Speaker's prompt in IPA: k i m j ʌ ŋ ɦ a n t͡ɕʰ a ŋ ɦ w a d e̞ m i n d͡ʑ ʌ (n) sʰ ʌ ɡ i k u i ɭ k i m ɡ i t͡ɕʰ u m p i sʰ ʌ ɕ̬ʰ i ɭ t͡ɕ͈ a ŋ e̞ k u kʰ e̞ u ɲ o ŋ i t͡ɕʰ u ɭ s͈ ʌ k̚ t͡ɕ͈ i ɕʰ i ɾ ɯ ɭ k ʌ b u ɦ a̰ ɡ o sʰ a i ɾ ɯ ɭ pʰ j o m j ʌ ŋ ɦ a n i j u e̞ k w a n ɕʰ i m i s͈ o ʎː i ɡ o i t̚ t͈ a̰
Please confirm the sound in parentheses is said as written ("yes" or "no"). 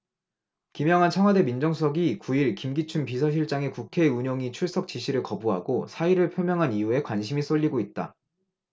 no